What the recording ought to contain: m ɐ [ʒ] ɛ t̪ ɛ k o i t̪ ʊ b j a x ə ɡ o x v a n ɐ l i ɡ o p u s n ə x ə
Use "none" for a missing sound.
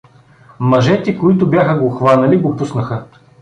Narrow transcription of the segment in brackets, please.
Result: ʒ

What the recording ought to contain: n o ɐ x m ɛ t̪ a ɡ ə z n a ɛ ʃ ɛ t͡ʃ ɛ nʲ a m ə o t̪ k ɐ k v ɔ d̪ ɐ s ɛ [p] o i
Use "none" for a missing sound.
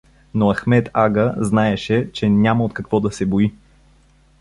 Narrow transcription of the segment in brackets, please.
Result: b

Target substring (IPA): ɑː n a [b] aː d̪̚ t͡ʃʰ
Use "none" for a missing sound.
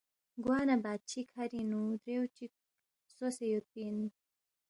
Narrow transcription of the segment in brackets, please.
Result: b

